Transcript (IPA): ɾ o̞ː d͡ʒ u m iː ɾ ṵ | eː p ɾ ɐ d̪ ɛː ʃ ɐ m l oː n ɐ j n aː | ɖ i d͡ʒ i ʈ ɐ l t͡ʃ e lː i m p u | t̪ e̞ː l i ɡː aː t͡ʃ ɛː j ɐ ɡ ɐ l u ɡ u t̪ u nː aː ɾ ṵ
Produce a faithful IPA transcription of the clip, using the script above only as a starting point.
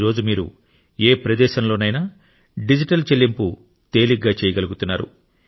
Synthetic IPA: ɾ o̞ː d͡ʒ u m iː ɾ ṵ | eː p ɾ ɐ d̪ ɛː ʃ ɐ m l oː n ɐ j n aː | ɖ i d͡ʒ i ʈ ɐ l t͡ʃ e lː i m p u | t̪ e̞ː l i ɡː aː t͡ʃ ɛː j ɐ ɡ ɐ l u ɡ u t̪ u nː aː ɾ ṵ